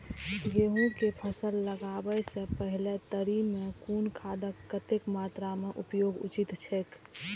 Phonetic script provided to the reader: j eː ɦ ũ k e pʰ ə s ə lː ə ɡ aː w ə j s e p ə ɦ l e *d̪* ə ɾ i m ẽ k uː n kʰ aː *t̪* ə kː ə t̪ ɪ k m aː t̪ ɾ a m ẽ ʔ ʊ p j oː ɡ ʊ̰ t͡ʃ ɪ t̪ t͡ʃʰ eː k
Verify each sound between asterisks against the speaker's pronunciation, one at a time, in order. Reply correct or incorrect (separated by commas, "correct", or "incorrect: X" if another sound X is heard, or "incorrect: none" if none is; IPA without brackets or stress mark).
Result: incorrect: t̪, incorrect: d̪